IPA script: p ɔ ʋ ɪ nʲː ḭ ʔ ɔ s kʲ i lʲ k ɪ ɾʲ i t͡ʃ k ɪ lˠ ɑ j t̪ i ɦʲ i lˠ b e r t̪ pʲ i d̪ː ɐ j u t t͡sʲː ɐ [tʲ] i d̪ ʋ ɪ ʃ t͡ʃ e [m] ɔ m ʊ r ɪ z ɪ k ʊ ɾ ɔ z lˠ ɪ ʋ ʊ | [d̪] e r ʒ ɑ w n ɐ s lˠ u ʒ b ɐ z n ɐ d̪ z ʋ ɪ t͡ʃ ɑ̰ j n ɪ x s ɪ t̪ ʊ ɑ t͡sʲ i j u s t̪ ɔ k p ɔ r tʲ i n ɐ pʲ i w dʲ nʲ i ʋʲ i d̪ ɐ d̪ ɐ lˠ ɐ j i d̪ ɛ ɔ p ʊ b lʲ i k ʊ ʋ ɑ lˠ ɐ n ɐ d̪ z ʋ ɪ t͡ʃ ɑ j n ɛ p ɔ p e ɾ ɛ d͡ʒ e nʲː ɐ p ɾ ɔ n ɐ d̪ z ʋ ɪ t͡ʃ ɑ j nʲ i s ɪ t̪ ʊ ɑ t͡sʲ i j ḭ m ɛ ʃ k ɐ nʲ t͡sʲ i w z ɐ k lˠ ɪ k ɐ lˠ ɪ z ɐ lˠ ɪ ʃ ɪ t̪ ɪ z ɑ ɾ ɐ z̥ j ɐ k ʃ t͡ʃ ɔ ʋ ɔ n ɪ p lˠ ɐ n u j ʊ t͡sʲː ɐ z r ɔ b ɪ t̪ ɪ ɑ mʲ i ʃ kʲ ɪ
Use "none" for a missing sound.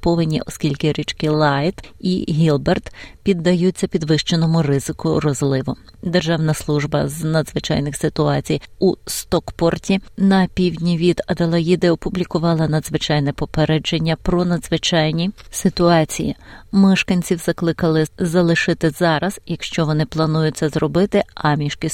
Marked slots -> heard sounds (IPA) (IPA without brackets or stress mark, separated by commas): pʲ, n, d̪